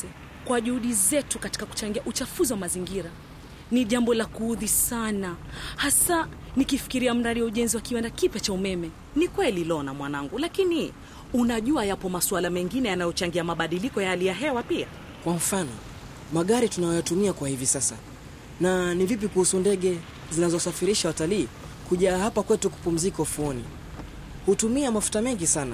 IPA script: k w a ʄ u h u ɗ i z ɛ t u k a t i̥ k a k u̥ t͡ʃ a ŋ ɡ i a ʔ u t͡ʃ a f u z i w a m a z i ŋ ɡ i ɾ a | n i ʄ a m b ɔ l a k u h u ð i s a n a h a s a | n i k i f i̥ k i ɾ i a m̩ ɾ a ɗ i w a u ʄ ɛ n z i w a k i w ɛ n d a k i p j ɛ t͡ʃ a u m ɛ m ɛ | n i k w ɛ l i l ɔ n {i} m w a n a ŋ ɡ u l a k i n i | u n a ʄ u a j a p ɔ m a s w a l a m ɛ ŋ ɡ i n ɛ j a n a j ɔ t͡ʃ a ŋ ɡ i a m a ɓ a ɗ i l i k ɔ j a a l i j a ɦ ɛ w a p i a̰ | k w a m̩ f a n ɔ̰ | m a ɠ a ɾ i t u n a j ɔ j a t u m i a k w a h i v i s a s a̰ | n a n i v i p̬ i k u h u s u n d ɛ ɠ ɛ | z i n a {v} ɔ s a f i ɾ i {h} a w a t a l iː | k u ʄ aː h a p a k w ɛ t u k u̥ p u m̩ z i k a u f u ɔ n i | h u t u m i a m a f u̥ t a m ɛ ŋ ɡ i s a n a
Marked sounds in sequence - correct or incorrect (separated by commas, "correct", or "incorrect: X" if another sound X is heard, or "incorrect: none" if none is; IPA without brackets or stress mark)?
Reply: incorrect: a, incorrect: z, incorrect: ʃ